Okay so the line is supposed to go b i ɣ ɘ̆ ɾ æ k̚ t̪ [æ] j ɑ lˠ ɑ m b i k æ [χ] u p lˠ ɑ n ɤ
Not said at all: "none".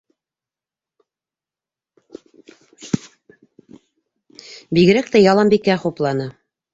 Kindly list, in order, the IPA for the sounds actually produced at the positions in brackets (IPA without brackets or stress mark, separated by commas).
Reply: æ, χ